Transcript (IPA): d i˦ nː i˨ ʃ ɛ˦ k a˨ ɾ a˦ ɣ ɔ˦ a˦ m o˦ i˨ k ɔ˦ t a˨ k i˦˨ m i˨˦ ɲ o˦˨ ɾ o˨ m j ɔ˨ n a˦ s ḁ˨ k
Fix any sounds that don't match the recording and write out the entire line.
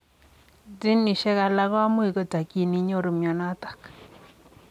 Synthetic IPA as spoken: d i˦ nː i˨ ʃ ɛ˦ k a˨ l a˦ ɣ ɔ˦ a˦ m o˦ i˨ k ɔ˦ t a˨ k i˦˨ n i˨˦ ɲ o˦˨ ɾ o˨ m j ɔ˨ n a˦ t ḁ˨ k